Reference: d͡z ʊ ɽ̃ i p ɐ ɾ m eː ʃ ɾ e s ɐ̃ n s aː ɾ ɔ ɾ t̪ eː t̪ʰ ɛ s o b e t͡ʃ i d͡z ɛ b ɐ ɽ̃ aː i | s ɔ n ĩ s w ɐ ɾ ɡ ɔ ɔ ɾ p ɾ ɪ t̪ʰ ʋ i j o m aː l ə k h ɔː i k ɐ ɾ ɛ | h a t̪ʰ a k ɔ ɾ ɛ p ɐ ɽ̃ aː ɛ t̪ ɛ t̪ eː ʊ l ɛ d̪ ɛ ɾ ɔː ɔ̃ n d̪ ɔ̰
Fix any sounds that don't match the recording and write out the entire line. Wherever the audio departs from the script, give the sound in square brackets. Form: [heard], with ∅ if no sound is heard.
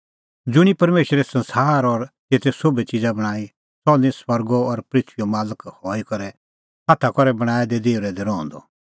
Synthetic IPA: d͡z ʊ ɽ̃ i p ɐ ɾ m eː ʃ ɾ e s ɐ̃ n s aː ɾ ɔ ɾ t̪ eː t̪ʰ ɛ s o b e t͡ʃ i d͡z [a] b ɐ ɽ̃ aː i | s ɔ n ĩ s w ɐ ɾ ɡ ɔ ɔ ɾ p ɾ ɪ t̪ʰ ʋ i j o m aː l ə k h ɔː i k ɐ ɾ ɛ | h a t̪ʰ a k ɔ ɾ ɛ [b] ɐ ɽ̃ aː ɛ [d̪] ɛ [d̪] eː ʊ [ɾ] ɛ d̪ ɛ ɾ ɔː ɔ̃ n d̪ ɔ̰